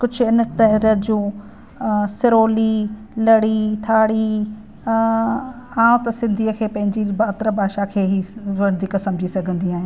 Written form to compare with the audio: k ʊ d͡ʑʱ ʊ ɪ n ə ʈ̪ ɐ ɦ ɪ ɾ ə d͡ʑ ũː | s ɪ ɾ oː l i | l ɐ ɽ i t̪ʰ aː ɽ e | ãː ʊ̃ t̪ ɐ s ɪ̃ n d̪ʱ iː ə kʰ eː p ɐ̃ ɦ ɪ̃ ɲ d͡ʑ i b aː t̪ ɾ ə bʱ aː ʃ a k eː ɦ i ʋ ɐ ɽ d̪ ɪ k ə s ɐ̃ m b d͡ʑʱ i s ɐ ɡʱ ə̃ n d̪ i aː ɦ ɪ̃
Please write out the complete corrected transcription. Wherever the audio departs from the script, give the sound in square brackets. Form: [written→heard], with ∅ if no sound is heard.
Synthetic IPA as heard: k ʊ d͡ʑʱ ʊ ɪ n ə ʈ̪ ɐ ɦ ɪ ɾ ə d͡ʑ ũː | s ɪ ɾ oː l i | l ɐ ɽ i t̪ʰ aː ɽ [e→i] | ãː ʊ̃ t̪ ɐ s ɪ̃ n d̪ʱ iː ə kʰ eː p ɐ̃ ɦ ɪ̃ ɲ d͡ʑ i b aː t̪ ɾ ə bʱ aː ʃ a [k→kʰ] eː ɦ i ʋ ɐ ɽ d̪ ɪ k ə s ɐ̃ m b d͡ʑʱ i s ɐ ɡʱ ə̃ n d̪ i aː ɦ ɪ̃